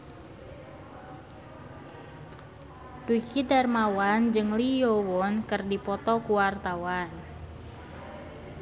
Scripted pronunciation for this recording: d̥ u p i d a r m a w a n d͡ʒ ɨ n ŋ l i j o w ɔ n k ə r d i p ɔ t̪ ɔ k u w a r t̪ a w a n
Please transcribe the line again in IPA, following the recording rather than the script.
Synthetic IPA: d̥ u k i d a r m a w a n d͡ʒ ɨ ŋ l i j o w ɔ n k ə r d i p ɔ t̪ ɔ k u w a r t̪ a w a n